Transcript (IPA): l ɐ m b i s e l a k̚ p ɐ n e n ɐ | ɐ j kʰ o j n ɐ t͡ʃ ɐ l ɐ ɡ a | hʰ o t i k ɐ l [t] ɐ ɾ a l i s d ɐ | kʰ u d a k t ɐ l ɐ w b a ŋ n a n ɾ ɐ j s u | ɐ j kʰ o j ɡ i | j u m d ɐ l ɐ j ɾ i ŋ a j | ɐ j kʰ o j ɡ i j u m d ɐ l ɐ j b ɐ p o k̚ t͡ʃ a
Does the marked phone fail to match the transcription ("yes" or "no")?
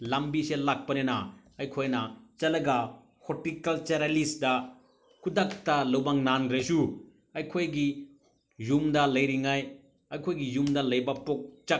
yes